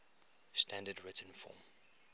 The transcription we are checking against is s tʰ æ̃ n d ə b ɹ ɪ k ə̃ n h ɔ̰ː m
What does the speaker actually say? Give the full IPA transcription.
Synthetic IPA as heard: s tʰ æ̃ n d ə d ɹ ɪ t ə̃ n f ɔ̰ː m